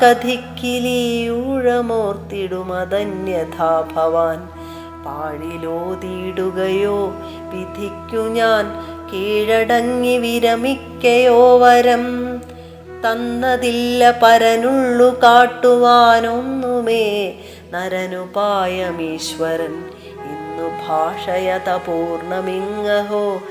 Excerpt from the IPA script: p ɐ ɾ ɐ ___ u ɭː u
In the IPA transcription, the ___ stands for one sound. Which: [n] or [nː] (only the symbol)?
n